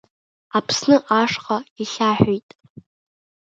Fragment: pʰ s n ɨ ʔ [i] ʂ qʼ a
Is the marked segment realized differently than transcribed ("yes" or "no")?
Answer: yes